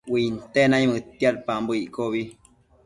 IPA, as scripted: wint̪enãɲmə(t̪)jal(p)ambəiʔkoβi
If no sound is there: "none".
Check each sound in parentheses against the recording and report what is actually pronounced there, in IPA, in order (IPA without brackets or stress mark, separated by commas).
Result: t̪, p